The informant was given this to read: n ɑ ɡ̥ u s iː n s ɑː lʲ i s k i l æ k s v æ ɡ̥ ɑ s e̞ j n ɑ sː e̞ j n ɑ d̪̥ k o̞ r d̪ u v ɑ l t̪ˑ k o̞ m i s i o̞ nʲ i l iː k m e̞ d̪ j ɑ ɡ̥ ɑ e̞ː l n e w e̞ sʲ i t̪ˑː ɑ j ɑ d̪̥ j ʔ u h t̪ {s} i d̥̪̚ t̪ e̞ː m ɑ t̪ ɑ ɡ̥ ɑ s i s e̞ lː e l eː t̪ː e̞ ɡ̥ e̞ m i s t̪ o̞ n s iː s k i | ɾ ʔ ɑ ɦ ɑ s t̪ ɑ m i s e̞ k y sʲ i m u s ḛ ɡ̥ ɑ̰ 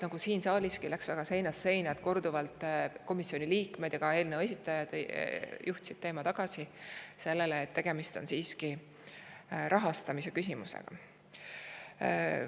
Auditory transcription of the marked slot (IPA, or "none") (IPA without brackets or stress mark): s